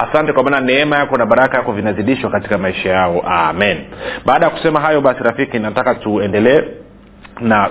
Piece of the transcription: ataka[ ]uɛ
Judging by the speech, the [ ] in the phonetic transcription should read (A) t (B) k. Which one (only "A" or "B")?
A